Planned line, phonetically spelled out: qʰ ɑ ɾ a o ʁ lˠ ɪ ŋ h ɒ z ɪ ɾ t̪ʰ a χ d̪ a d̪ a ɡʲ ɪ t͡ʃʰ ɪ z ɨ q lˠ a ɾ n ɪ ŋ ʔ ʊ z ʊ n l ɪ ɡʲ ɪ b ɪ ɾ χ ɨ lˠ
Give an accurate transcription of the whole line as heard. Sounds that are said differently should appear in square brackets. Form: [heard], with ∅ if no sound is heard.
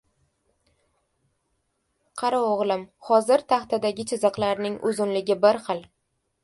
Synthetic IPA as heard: qʰ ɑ ɾ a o ʁ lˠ ɪ [m] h ɒ z ɪ ɾ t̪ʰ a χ [t̪] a d̪ a ɡʲ ɪ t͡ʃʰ ɪ z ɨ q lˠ a ɾ n ɪ ŋ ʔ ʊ z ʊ n l ɪ ɡʲ ɪ b ɪ ɾ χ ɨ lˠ